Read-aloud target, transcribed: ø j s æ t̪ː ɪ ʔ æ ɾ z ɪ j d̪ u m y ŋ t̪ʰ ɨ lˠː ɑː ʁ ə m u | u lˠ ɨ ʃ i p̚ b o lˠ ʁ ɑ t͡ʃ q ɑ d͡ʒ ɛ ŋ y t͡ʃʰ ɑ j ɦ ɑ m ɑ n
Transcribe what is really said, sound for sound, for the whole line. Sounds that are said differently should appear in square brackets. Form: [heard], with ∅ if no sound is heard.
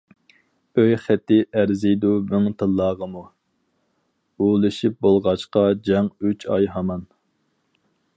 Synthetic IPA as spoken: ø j [χ] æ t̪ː ɪ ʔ æ ɾ z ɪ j d̪ u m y ŋ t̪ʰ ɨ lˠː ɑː ʁ ə m u | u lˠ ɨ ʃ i p̚ b o lˠ ʁ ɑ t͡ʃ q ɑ d͡ʒ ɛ ŋ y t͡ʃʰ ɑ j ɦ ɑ m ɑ n